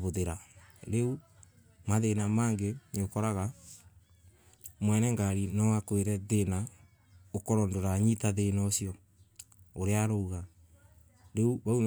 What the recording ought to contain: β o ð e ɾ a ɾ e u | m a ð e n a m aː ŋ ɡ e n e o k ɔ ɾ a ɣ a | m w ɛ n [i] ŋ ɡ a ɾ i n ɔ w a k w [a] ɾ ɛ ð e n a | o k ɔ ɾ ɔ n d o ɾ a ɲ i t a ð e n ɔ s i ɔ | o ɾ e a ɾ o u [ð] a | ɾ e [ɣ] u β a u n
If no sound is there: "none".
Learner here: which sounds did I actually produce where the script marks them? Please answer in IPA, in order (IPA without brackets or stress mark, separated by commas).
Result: ɛ, e, ɣ, none